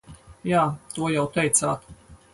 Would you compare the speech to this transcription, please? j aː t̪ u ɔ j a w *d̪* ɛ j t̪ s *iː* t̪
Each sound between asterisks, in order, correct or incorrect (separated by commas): incorrect, incorrect